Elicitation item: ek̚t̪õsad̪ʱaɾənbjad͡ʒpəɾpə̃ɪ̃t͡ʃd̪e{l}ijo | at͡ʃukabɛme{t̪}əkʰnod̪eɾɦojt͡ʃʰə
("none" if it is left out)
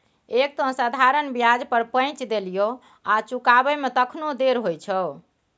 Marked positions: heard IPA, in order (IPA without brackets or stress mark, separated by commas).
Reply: l, t̪